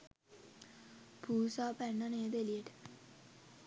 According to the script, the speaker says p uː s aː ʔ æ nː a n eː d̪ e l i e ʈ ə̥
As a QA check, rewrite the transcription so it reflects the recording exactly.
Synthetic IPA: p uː s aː p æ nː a n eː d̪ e l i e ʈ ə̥